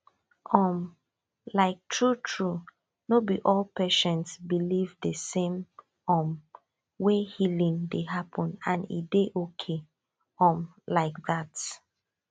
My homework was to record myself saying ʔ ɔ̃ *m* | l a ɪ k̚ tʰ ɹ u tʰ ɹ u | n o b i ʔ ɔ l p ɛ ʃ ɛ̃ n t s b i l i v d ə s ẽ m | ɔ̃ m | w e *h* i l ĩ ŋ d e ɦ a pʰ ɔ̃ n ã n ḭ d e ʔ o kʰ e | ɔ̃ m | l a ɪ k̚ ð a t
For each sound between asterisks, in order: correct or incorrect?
correct, correct

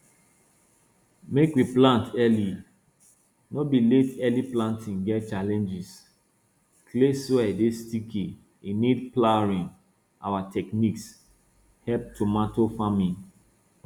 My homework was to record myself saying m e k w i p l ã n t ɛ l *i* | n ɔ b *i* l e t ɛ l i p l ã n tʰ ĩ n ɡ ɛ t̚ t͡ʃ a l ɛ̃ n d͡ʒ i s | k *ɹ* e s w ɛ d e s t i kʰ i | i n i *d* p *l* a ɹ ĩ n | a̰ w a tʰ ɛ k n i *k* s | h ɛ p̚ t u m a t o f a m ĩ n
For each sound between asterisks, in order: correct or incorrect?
correct, correct, incorrect, correct, correct, correct

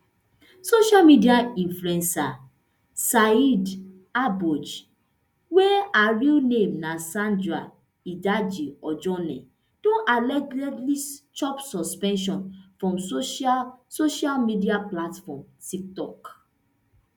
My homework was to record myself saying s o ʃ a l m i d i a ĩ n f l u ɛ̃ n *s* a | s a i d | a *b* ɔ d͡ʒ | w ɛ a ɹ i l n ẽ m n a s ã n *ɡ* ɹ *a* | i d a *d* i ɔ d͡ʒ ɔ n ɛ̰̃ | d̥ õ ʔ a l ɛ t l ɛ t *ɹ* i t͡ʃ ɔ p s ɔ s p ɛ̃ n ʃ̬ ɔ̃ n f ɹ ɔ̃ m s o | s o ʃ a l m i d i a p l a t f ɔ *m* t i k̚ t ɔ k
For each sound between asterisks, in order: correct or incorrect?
correct, correct, incorrect, correct, incorrect, incorrect, correct

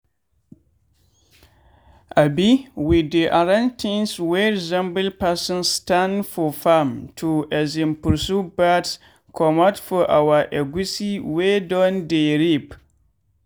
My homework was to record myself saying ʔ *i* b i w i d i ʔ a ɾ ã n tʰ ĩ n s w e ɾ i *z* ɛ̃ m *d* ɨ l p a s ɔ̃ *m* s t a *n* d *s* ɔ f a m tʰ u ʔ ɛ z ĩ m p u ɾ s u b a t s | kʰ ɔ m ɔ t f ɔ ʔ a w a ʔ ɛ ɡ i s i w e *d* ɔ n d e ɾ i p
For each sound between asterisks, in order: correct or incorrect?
incorrect, correct, incorrect, incorrect, correct, incorrect, correct

